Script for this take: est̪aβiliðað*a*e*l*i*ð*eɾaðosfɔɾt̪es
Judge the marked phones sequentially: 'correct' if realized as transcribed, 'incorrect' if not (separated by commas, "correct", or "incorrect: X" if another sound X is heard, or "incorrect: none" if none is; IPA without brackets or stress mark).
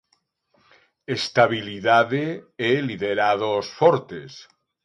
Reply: incorrect: e, correct, correct